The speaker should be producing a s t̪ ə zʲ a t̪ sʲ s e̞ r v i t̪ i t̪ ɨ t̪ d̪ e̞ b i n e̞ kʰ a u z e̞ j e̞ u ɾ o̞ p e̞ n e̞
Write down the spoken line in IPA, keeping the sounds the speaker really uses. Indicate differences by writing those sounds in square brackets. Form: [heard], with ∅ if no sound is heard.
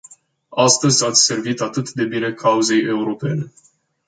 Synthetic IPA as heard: a s t̪ ə zʲ a t̪ sʲ s e̞ r v i t̪ [a] t̪ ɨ t̪ d̪ e̞ b i n e̞ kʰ a u z e̞ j e̞ u ɾ o̞ p e̞ n e̞

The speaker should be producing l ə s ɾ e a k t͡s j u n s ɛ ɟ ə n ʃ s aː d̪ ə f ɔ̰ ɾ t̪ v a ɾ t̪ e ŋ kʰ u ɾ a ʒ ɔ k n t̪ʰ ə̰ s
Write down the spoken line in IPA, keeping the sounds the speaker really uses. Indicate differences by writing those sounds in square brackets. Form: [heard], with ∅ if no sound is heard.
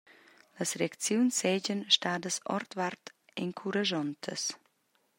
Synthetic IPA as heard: l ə s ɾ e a k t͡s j u n s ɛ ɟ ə n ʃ [t] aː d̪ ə [s] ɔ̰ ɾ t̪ v a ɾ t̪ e ŋ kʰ u ɾ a ʒ ɔ [∅] n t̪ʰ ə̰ s

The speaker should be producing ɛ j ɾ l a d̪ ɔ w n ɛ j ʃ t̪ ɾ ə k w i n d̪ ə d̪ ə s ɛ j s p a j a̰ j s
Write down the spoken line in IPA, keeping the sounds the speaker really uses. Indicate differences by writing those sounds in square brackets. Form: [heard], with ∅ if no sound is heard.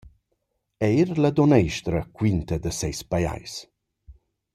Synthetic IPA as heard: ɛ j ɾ l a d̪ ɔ [∅] n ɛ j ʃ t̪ ɾ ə k w i n [t̪] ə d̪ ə s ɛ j s p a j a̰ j s

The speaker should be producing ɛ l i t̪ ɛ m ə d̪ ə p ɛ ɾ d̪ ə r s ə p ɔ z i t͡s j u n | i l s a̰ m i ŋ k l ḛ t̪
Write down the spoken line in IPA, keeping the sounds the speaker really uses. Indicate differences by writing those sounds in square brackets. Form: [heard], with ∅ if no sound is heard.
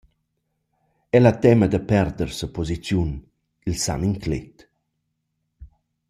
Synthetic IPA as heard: ɛ l [a] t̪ ɛ m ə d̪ ə p ɛ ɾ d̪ ə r s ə p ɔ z i t͡s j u n | i l s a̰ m i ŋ k l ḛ t̪

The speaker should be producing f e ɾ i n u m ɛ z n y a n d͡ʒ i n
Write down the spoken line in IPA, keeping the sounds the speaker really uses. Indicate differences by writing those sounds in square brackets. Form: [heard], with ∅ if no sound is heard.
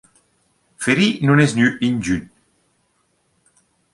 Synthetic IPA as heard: f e ɾ i n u [n] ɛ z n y [i] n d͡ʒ [y] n

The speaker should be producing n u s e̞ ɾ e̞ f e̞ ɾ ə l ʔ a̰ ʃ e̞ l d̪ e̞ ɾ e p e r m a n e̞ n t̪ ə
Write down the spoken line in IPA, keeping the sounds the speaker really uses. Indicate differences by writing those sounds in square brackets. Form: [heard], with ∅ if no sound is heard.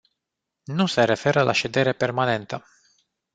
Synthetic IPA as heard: n u s e̞ ɾ e̞ f e̞ ɾ ə l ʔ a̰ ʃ e̞ [∅] d̪ e̞ ɾ e p e r m a n e̞ n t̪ ə

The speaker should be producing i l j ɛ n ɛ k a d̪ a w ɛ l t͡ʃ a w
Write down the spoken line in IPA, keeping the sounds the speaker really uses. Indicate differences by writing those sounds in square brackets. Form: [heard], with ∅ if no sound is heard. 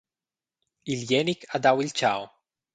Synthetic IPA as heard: i l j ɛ n [i] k a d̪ a w [i] l t͡ʃ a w

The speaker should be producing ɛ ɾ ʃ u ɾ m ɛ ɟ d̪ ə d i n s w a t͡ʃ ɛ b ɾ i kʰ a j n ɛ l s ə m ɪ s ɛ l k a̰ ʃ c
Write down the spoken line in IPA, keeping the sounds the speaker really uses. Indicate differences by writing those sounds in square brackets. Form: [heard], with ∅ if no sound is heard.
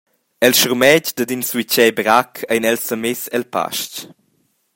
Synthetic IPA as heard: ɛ [l] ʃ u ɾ m ɛ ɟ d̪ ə d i n s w [i] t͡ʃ ɛ b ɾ [a] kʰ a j n ɛ l s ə m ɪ s ɛ l [p] a̰ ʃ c

